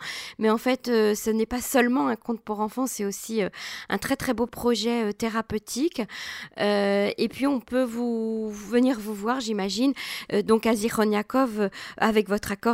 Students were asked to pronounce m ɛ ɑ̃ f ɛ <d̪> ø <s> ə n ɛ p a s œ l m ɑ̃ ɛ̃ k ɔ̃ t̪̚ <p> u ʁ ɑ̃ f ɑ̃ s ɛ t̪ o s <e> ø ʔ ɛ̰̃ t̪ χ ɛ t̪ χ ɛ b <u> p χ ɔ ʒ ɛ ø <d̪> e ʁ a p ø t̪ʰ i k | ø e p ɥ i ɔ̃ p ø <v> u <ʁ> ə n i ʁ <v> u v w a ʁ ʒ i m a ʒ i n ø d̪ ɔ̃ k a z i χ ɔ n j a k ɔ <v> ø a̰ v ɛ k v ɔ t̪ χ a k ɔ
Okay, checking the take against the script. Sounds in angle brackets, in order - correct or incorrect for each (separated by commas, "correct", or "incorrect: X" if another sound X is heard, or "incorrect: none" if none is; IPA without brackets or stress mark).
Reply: incorrect: t̪, correct, correct, incorrect: i, incorrect: o, incorrect: t̪, correct, incorrect: v, correct, correct